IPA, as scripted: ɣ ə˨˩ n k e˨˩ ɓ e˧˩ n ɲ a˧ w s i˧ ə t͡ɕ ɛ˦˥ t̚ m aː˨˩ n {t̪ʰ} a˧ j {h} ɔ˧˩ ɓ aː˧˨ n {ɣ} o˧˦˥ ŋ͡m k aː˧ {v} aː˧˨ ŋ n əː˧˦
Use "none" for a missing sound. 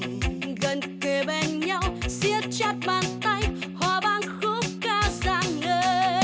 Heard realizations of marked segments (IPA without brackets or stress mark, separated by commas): t̪, h, x, z